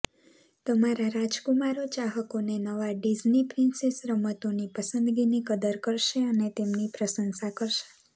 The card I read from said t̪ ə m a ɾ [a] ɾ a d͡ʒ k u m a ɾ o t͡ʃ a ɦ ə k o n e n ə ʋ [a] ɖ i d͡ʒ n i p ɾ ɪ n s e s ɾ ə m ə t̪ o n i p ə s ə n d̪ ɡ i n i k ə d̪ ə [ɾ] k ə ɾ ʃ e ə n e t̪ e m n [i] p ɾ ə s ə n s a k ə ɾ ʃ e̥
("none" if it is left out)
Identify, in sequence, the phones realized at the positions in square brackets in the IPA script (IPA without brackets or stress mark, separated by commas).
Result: a, a, ɾ, i